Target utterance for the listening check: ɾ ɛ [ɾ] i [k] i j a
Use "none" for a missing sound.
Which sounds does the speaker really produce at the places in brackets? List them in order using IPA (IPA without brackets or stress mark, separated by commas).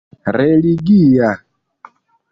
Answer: l, ɡ